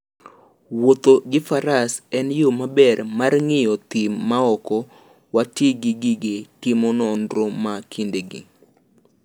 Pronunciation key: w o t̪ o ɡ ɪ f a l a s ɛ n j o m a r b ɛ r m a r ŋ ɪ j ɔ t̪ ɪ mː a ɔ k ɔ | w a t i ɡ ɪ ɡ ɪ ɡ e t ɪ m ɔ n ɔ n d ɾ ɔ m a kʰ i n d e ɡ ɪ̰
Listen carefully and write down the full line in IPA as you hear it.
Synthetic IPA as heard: w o t̪ o ɡ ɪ f a ɾ a s ɛ n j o m a b ɛ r m a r ŋ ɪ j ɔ t̪ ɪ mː a ɔ k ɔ | w a t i ɡ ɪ ɡ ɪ ɡ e t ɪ m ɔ n ɔ n d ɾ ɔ m a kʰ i n d e ɡ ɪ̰